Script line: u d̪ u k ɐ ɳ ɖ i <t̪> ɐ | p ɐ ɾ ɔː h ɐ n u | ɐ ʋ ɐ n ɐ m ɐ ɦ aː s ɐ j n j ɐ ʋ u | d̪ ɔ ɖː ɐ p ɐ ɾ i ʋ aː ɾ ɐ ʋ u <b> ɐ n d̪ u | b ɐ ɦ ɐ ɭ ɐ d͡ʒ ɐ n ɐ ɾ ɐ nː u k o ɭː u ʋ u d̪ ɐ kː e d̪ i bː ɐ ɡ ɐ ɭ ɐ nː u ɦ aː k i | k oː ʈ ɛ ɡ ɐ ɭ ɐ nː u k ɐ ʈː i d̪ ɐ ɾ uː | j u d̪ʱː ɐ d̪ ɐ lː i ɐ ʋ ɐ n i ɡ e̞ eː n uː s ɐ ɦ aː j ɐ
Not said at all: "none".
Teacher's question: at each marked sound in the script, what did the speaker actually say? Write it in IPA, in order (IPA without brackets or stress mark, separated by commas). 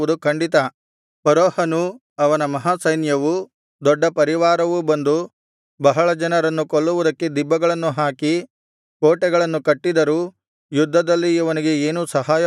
t̪, b